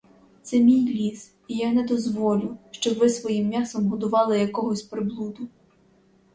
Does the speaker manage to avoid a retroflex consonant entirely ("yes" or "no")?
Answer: yes